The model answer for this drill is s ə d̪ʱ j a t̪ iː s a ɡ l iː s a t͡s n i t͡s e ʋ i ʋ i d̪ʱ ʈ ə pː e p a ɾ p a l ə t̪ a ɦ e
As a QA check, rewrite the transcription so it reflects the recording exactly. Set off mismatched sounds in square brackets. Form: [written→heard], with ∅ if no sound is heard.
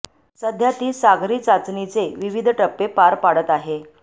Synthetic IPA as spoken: s ə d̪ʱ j a t̪ iː s a ɡ [l→ɾ] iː [s→t͡s] a t͡s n i t͡s e ʋ i ʋ i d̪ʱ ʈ ə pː e p a ɾ p a [l→ɽ] ə t̪ a ɦ e